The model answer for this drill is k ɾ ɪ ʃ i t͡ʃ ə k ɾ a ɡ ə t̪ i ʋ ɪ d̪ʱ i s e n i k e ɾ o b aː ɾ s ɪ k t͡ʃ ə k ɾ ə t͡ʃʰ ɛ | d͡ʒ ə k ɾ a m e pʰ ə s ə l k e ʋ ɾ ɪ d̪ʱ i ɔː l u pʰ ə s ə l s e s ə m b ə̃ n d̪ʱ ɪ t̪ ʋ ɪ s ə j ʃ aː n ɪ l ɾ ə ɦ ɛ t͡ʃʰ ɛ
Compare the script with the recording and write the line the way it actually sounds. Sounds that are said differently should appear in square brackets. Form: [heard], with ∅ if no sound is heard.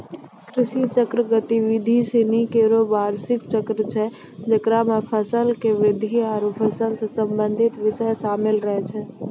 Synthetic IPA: k ɾ ɪ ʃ i t͡ʃ ə k ɾ [ə] ɡ ə t̪ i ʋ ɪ d̪ʱ i s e n i k e ɾ o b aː ɾ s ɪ k t͡ʃ ə k ɾ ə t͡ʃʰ ɛ | d͡ʒ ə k ɾ a m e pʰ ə s ə l k e ʋ ɾ ɪ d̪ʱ i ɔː [ɾ] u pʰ ə s ə l s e s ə m b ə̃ n d̪ʱ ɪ t̪ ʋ ɪ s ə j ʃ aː [m] ɪ l ɾ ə ɦ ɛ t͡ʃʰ ɛ